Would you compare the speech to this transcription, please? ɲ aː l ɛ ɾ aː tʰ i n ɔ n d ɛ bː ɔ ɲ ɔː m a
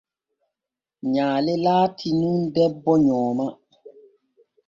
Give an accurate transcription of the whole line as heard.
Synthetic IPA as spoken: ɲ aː l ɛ l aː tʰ i n u n d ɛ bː ɔ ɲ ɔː m a